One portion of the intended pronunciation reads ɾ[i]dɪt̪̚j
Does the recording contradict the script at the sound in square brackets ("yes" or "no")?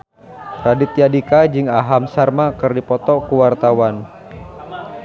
yes